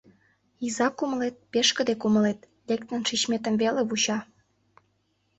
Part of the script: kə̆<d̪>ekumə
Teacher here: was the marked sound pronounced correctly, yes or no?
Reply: yes